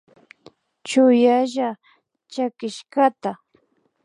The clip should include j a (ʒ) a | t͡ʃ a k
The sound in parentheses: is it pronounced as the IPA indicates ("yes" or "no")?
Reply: yes